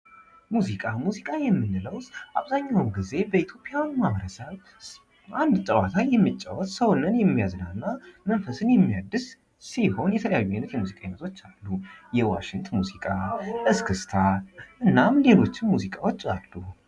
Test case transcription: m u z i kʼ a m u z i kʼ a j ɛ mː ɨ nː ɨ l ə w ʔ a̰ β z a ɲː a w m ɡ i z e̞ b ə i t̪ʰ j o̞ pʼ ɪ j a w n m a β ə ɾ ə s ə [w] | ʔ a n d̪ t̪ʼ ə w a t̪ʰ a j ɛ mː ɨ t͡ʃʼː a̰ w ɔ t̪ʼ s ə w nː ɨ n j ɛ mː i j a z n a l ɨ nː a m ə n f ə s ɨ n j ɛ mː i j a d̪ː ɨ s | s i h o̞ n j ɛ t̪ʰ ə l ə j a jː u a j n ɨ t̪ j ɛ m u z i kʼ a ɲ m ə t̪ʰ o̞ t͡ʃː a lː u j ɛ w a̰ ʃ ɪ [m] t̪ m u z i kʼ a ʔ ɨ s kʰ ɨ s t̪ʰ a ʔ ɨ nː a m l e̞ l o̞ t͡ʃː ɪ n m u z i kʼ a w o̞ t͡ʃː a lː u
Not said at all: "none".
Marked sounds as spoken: β, ŋ

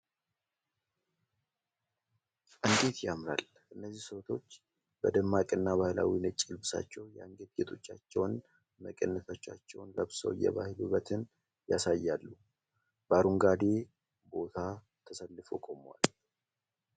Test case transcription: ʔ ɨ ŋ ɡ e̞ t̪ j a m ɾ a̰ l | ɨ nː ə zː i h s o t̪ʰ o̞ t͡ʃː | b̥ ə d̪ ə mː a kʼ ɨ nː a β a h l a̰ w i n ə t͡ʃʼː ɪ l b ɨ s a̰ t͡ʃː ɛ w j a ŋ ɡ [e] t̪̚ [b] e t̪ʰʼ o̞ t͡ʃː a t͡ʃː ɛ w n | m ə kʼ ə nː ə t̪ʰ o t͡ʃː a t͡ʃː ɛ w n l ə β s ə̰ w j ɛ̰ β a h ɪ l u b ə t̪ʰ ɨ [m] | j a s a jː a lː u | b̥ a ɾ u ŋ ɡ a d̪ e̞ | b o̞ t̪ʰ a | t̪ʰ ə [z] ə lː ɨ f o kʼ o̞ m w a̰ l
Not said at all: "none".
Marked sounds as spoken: e, ɡ, n, s

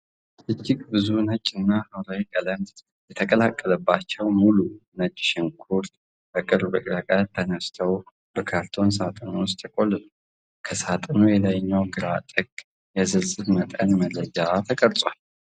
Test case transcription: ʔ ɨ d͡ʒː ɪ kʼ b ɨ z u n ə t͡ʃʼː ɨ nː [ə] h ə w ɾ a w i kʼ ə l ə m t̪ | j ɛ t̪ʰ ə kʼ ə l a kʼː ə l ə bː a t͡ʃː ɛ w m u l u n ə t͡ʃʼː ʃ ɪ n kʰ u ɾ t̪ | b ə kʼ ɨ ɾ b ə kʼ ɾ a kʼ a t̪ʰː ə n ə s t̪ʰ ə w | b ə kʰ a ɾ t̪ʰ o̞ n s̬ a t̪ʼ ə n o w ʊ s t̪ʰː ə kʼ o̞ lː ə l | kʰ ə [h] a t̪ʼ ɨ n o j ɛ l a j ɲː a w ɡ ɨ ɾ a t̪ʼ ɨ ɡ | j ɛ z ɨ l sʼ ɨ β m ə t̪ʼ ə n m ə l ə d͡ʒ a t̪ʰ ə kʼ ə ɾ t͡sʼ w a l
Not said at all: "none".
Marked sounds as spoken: a, s

